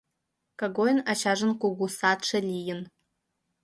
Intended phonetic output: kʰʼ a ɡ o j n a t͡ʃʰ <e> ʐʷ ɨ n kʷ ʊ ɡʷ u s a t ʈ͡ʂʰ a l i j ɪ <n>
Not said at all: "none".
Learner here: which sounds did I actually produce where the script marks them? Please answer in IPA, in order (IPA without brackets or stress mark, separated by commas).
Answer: a, n